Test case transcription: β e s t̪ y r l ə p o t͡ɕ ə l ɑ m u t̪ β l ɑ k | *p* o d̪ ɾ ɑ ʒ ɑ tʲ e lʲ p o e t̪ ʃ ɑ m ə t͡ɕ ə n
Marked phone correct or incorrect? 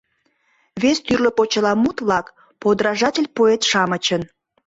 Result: correct